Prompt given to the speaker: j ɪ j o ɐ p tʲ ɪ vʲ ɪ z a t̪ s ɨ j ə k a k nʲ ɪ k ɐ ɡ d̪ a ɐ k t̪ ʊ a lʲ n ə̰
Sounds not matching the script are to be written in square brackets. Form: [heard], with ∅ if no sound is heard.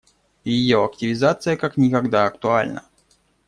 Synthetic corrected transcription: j ɪ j o ɐ [k] tʲ ɪ vʲ ɪ z a t̪ s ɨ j ə k a k nʲ ɪ k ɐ ɡ d̪ a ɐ k t̪ ʊ a lʲ n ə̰